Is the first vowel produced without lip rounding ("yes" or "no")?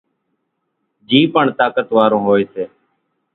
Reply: yes